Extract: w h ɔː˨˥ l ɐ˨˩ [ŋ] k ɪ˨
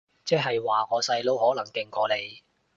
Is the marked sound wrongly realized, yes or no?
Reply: no